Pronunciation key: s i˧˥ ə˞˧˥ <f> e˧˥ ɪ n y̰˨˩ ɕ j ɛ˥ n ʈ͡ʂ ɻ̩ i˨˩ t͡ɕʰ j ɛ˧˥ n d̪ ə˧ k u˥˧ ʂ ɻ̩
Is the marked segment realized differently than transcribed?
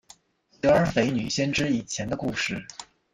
no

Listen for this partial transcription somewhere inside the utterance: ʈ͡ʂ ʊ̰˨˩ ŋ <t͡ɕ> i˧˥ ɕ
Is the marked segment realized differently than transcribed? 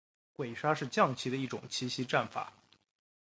yes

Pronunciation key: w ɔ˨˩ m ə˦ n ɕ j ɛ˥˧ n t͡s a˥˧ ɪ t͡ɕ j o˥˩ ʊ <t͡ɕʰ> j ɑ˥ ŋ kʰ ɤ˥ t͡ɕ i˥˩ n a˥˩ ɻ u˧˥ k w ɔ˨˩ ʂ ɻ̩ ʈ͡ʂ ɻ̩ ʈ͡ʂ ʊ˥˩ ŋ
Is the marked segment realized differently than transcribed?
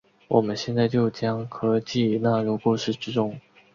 yes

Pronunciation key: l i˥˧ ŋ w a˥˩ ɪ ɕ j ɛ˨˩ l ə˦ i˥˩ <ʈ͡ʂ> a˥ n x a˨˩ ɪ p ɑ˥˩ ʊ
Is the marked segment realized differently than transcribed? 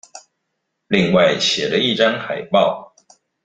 no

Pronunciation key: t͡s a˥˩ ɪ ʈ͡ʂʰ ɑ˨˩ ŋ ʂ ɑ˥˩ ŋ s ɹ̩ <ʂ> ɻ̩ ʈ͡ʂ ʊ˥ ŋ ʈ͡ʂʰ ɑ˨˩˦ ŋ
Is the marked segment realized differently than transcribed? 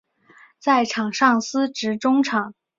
yes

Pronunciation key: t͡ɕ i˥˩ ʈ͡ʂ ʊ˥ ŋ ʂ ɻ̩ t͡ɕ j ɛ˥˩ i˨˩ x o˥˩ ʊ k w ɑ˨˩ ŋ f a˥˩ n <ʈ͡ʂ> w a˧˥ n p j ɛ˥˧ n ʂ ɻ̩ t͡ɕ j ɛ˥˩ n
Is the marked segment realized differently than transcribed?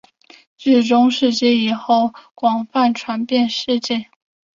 yes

